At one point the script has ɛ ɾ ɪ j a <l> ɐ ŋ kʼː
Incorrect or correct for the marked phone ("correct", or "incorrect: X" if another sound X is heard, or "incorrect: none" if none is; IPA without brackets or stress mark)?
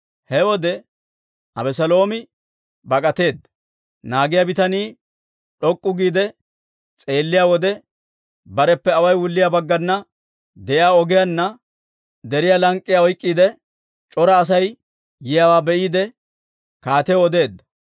correct